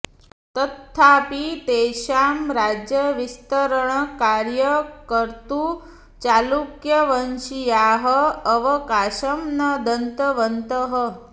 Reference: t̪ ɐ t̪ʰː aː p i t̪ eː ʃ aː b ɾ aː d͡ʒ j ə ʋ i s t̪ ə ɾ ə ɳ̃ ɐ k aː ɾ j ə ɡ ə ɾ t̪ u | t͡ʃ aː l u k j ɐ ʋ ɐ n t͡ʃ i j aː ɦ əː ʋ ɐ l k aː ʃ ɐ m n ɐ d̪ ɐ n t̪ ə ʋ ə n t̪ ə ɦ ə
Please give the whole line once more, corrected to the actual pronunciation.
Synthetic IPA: t̪ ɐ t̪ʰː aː p i t̪ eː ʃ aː m ɾ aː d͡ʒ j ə ʋ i s t̪ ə ɾ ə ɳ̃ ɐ k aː ɾ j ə k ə ɾ t̪ u | t͡ʃ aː l u k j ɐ ʋ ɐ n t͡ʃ i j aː ɦ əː ʋ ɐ k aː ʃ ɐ m n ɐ d̪ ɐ n t̪ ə ʋ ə n t̪ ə ɦ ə

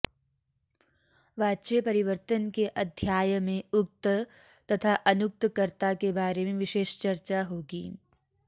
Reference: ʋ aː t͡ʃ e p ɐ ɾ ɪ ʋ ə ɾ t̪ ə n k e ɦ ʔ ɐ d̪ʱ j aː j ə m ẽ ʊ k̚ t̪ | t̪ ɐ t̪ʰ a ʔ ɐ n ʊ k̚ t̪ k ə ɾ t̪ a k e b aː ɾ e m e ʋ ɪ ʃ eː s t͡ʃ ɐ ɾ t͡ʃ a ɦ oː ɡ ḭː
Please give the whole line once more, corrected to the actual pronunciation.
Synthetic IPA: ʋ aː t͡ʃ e p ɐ ɾ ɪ ʋ ə ɾ t̪ ə n k e ʔ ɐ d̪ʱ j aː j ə m ẽ ʊ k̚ t̪ | t̪ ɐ t̪ʰ a ʔ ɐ n ʊ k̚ t̪ k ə ɾ t̪ a k e b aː ɾ e m ẽ ʋ ɪ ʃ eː ʃ t͡ʃ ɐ ɾ t͡ʃ a ɦ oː ɡ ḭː

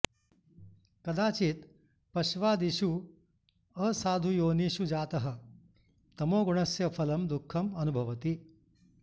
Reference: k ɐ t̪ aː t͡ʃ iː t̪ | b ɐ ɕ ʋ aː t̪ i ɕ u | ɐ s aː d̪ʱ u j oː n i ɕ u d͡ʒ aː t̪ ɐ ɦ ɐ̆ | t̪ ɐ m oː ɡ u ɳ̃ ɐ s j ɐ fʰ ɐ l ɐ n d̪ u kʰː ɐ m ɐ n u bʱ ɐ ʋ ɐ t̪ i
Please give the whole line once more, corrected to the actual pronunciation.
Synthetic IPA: k ɐ d̪ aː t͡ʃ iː t̪ | p ɐ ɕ ʋ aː d̪ i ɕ u | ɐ s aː d̪ʱ u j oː n i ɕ u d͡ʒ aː t̪ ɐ ɦ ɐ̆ | t̪ ɐ m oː ɡ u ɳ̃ ɐ s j ɐ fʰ ɐ l ɐ m d̪ u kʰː ɐ m ɐ n u bʱ ɐ ʋ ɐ t̪ i

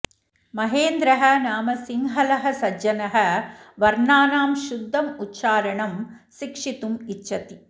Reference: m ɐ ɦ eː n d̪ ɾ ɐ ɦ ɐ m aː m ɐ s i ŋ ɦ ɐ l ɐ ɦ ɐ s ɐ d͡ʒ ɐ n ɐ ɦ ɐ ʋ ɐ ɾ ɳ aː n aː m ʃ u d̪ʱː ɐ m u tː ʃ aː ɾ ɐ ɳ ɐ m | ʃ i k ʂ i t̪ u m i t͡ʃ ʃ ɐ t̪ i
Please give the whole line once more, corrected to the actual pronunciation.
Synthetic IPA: m ɐ ɦ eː n d̪ ɾ ɐ ɦ ɐ n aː m ɐ s i ŋ ɦ ɐ l ɐ ɦ ɐ s ɐ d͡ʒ ɐ n ɐ ɦ ɐ ʋ ɐ ɾ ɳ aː n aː m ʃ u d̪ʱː ɐ m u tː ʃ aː ɾ ɐ ɳ ɐ m | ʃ i k ʂ i t̪ u m i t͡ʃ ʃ ɐ t̪ i

